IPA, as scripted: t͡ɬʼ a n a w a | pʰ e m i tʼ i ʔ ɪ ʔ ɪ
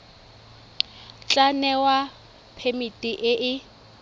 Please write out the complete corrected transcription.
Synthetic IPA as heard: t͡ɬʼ a n ɛ w a | pʰ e m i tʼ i ʔ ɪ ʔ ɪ